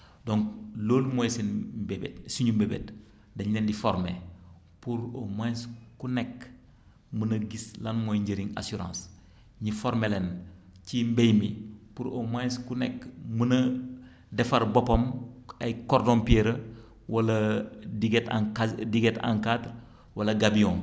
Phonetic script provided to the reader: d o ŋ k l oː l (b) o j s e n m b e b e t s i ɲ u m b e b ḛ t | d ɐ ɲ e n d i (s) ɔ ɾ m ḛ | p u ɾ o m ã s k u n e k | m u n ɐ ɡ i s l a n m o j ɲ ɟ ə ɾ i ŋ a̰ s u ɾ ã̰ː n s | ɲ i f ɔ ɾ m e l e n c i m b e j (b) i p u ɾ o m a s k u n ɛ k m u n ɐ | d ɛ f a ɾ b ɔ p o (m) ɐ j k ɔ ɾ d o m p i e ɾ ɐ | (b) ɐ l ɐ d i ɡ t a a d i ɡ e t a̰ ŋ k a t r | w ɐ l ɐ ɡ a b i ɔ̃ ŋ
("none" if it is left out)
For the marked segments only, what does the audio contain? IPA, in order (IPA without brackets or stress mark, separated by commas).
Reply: m, f, m, m, w